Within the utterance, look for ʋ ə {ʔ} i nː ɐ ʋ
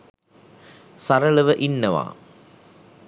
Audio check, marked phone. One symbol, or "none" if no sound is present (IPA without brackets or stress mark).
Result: ʔ